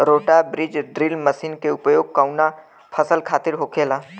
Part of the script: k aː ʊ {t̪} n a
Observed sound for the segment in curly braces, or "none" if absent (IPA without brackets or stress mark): none